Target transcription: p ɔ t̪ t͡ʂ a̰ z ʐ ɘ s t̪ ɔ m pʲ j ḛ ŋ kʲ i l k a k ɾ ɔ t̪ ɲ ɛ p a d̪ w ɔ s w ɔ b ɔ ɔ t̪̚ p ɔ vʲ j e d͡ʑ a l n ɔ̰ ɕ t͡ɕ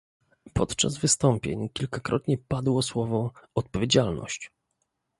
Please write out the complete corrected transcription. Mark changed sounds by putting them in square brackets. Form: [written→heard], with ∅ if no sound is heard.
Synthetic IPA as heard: p ɔ t̪ t͡ʂ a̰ z [ʐ→v] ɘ s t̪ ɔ m pʲ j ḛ [ŋ→ɲ] kʲ i l k a k ɾ ɔ t̪ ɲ ɛ p a d̪ w ɔ s w ɔ [b→v] ɔ ɔ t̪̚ p ɔ vʲ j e d͡ʑ a l n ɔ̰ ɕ t͡ɕ